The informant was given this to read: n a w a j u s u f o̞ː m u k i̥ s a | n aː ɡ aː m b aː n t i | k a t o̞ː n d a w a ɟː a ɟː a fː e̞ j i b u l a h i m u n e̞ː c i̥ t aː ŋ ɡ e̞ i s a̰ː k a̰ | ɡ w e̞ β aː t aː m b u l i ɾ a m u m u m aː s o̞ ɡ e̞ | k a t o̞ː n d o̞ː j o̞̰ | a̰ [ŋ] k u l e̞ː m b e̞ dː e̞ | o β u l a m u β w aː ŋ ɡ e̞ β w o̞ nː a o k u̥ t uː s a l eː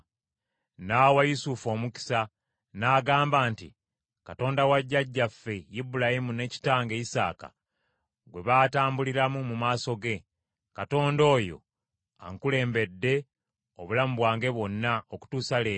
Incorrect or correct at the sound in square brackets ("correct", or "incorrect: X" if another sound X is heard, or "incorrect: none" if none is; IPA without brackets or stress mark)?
correct